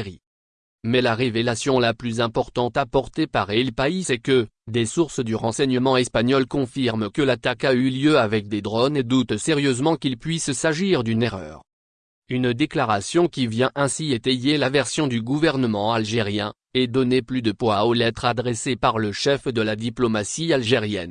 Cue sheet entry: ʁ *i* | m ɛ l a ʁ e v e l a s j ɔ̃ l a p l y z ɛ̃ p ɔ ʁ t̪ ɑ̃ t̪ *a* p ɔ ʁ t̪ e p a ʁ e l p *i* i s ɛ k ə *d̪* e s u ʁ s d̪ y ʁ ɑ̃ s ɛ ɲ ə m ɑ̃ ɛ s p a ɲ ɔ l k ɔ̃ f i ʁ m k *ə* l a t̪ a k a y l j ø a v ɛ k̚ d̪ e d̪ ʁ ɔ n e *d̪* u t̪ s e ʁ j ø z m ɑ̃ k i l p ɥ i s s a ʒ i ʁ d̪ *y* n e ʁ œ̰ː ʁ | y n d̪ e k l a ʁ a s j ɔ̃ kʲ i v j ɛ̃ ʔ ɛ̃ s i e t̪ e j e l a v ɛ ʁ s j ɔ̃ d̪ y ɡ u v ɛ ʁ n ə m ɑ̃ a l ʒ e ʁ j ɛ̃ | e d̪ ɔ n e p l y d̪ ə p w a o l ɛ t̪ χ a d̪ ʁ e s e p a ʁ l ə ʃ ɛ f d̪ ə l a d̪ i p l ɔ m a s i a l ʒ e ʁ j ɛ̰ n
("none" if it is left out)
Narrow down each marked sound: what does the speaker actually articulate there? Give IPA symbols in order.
i, a, a, d̪, ə, d̪, y

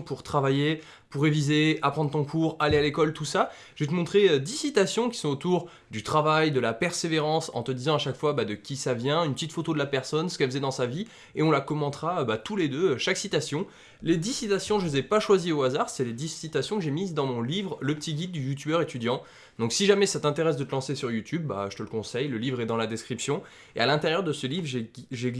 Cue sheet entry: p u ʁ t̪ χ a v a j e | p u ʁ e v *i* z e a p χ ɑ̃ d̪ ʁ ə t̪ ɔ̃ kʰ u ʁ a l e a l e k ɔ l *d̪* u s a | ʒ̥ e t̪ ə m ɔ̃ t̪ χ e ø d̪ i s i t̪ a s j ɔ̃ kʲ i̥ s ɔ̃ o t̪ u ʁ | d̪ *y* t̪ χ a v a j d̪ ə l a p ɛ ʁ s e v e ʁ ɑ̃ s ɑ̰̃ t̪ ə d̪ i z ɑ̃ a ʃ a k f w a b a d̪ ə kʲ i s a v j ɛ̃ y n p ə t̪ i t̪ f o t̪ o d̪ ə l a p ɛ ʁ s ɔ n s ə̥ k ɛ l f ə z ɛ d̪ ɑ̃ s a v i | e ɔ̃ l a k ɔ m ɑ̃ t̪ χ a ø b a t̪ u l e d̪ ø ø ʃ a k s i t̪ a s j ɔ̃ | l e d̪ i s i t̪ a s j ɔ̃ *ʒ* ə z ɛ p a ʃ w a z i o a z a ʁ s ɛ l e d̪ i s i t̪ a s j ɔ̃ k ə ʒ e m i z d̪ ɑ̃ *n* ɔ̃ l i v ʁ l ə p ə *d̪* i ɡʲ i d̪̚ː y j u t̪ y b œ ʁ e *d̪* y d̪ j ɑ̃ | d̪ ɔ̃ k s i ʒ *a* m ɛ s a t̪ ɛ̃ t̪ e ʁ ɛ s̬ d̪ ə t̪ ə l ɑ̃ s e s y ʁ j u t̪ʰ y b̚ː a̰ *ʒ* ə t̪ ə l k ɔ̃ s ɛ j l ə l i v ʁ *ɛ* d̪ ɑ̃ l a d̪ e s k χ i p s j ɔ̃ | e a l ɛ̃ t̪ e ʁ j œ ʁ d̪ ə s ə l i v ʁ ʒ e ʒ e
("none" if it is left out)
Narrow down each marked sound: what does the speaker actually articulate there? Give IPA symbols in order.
i, t̪, y, ʒ, m, t̪, t̪, a, ʒ, ɛ

